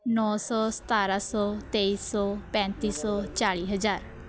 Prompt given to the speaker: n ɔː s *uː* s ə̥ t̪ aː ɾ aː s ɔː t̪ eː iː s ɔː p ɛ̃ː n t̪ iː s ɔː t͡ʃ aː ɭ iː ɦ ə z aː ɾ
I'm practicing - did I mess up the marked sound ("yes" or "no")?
yes